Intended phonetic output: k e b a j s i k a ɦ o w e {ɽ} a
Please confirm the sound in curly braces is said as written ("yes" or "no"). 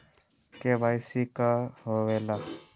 no